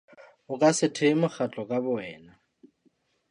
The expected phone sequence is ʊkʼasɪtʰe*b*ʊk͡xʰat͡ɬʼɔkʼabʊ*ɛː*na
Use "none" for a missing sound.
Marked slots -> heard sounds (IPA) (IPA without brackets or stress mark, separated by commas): m, ɛː